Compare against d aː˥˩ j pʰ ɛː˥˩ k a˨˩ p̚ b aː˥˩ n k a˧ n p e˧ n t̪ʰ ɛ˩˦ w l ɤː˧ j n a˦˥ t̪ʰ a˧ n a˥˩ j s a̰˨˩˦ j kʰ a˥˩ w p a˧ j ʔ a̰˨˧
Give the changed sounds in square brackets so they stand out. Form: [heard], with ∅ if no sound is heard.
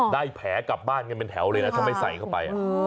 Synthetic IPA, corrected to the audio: d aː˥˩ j pʰ [ɛː˩˦] k a˨˩ p̚ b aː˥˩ n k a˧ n p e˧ n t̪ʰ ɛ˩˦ w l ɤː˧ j n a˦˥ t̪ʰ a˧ [m] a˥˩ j s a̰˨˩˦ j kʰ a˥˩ w p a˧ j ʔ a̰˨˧